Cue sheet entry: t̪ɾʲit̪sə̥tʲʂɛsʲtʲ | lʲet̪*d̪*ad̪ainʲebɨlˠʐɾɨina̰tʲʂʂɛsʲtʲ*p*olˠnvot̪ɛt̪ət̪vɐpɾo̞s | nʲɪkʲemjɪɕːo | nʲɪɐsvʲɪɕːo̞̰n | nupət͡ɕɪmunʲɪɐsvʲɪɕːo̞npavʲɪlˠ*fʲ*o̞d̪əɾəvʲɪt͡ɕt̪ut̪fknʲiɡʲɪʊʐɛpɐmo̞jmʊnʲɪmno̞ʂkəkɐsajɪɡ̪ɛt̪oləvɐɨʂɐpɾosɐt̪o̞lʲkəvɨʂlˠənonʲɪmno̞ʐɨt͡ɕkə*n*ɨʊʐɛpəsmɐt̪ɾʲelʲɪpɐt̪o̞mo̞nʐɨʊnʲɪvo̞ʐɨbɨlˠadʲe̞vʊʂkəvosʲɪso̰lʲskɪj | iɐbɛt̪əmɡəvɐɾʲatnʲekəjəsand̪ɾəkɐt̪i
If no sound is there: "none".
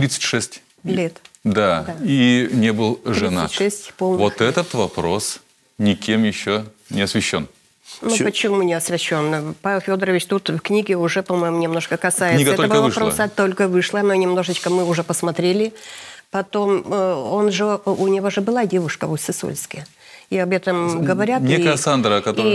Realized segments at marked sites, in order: d̪, p, fʲ, m

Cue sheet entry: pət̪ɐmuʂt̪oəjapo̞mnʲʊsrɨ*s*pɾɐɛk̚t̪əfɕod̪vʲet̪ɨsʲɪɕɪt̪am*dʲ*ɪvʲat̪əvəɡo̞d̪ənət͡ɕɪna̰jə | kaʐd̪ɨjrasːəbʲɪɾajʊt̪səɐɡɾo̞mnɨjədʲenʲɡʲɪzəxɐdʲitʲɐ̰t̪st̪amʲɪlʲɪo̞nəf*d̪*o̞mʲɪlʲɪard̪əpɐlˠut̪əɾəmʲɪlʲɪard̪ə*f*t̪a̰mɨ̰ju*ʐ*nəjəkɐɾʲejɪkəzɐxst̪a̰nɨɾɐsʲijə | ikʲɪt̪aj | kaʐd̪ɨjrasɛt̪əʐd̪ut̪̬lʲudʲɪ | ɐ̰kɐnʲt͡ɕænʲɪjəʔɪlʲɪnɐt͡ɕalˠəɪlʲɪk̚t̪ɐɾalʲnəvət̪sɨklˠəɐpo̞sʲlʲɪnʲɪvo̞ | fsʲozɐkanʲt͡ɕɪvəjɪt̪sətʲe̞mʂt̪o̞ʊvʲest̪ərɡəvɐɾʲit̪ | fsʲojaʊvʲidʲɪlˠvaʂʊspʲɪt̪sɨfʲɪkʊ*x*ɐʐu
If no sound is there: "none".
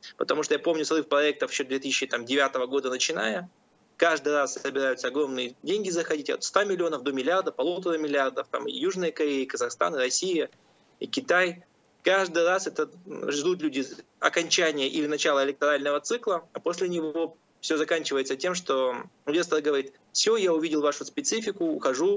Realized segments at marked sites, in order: f, dʲ, d̪, f, ʐ, x

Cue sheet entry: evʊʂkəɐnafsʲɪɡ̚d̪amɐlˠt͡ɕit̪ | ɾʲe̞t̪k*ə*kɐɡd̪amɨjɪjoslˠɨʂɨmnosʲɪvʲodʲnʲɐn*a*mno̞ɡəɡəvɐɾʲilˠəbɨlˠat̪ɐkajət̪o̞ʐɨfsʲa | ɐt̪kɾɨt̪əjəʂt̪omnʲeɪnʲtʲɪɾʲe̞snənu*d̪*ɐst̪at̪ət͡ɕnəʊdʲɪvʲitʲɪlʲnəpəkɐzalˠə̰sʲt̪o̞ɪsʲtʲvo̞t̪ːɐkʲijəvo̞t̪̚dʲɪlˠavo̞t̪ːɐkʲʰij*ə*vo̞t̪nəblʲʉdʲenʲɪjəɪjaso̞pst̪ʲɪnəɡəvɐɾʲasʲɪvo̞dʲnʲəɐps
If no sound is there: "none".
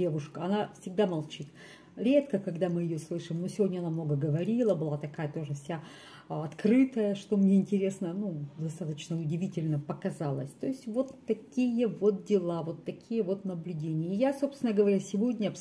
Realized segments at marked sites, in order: ə, a, d̪, ə

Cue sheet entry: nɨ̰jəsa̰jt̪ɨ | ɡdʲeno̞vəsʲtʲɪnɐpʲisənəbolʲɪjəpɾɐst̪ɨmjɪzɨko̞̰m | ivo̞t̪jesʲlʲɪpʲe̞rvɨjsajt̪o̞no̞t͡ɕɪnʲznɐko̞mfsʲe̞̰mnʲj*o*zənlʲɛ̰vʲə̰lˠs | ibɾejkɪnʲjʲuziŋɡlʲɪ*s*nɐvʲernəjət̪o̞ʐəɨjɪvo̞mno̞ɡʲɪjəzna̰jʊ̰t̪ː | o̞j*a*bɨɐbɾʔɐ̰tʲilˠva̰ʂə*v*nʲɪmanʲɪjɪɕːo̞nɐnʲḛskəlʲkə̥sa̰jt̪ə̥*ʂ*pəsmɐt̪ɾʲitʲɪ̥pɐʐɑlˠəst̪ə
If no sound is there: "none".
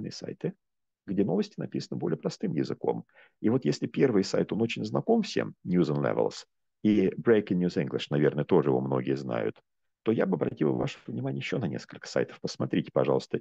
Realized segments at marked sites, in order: u, ʂ, a, v, f

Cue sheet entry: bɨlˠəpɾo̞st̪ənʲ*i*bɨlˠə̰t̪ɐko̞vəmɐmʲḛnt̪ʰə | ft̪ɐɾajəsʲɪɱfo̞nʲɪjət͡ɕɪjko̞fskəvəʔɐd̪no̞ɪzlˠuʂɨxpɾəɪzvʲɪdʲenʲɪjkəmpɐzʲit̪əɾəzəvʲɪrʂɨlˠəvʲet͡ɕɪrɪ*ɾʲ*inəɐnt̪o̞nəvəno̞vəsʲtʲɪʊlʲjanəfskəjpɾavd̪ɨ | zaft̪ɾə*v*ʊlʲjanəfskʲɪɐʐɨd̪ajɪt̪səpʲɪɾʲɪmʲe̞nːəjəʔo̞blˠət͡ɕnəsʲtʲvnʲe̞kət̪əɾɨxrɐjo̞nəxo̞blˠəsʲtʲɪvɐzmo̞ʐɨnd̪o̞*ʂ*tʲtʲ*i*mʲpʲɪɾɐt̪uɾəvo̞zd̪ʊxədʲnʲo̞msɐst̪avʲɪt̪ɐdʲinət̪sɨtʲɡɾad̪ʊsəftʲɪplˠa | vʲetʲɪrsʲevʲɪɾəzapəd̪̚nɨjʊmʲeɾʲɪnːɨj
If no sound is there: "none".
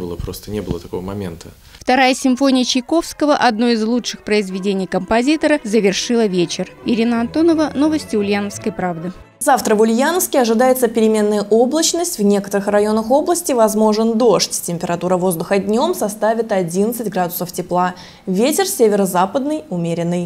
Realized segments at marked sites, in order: e, ɾʲ, v, ʂ, ɪ

